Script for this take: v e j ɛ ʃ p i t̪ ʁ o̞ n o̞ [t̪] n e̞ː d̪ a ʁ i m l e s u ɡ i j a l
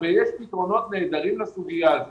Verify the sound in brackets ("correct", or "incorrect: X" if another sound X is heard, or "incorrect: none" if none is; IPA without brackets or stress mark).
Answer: correct